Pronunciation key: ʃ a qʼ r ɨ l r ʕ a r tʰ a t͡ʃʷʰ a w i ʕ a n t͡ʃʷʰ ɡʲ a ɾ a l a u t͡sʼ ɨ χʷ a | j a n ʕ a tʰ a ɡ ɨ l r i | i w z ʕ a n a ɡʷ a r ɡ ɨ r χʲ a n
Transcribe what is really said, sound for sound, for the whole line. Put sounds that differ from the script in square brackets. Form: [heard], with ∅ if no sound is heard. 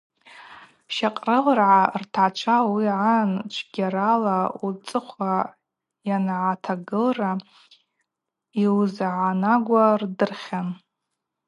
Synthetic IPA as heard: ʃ a qʼ r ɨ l r ʕ a r tʰ a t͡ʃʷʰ a w i ʕ a n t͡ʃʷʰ ɡʲ a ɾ a l a u t͡sʼ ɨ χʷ a | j a n ʕ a tʰ a ɡ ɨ l r [a] | i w z ʕ a n a ɡʷ a r [d] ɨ r χʲ a n